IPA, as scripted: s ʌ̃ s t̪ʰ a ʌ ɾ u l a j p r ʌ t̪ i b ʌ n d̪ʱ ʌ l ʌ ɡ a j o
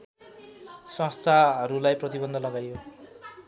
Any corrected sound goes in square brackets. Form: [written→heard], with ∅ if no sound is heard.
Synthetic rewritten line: s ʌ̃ s t̪ʰ a ʌ ɾ u l a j p r ʌ t̪ i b ʌ n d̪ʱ ʌ l ʌ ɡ a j o